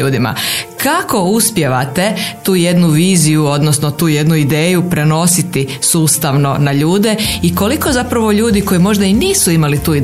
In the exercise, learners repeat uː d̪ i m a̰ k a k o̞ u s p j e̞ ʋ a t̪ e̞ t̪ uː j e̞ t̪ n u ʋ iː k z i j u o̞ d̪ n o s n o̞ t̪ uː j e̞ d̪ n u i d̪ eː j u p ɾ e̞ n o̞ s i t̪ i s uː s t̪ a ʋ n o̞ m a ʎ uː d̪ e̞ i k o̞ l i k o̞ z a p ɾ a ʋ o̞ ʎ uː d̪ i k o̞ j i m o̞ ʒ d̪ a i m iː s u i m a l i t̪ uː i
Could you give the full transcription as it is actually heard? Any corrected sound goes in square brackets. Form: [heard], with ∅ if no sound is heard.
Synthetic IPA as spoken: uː d̪ i m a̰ k a k o̞ u s p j e̞ ʋ a t̪ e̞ t̪ uː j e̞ [d̪] n u ʋ iː [∅] z i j u o̞ d̪ n o s n o̞ t̪ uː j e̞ d̪ n u i d̪ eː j u p ɾ e̞ n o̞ s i t̪ i s uː s t̪ a ʋ n o̞ [n] a ʎ uː d̪ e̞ i k o̞ l i k o̞ z a p ɾ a ʋ o̞ ʎ uː d̪ i k o̞ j i m o̞ ʒ d̪ a i [n] iː s u i m a l i t̪ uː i